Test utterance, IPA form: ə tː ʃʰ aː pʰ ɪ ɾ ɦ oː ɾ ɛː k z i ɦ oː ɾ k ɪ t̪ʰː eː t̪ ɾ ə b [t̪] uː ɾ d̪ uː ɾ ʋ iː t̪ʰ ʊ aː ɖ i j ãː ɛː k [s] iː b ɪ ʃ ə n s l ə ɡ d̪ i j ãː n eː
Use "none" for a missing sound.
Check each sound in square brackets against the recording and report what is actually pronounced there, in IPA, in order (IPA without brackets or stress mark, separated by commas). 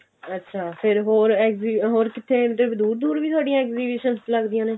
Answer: d̪, z